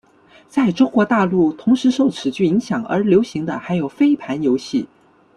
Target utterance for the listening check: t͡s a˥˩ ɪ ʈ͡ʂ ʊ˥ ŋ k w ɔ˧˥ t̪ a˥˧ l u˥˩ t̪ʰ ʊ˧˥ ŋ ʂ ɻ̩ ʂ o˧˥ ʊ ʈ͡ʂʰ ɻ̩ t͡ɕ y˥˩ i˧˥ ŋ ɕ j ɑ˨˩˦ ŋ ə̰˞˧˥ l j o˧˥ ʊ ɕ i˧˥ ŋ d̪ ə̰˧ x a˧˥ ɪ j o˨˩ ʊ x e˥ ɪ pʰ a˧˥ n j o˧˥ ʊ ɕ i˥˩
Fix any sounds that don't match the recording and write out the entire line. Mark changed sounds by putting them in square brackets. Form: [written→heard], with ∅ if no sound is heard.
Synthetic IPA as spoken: t͡s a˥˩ ɪ ʈ͡ʂ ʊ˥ ŋ k w ɔ˧˥ t̪ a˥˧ l u˥˩ t̪ʰ ʊ˧˥ ŋ ʂ ɻ̩ ʂ [o˧˥→o˥˩] ʊ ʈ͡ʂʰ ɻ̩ t͡ɕ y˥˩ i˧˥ ŋ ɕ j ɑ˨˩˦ ŋ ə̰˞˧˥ l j o˧˥ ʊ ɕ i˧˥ ŋ d̪ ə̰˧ x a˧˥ ɪ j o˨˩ ʊ [x→f] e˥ ɪ pʰ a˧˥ n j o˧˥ ʊ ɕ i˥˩